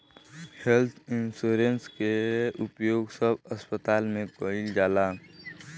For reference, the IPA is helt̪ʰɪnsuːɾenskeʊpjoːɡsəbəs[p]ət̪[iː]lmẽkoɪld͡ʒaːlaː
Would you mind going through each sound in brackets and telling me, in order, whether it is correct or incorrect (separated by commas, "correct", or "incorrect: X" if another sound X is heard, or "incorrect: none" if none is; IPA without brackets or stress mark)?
correct, incorrect: aː